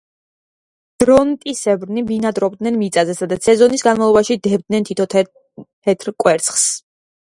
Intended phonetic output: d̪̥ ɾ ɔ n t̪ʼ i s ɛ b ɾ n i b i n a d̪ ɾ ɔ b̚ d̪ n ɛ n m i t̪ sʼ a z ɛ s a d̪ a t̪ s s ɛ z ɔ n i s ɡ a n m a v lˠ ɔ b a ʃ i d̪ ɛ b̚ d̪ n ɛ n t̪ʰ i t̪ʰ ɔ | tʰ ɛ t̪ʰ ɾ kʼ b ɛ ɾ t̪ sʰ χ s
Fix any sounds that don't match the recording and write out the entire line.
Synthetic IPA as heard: d̪̥ ɾ ɔ n t̪ʼ i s ɛ b ɾ n i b i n a d̪ ɾ ɔ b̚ d̪ n ɛ n m i t̪ sʼ a z ɛ s a d̪ a t̪ s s ɛ z ɔ n i s ɡ a n m a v lˠ ɔ b a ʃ i d̪ ɛ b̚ d̪ n ɛ n t̪ʰ i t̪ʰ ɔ | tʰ ɛ t̪ʰ ɾ kʼ w ɛ ɾ t̪ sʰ χ s